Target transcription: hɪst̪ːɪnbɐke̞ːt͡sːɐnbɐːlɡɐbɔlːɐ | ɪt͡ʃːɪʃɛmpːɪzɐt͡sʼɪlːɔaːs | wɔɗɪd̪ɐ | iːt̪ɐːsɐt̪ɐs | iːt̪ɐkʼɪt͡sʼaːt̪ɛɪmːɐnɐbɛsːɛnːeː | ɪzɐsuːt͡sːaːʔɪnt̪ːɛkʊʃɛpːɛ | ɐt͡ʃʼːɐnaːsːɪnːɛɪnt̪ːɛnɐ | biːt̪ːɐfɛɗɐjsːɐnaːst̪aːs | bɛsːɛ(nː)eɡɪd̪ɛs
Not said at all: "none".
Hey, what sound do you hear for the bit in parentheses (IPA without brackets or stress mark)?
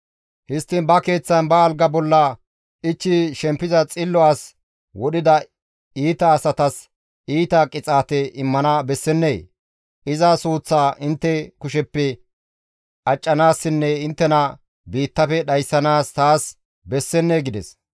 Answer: nː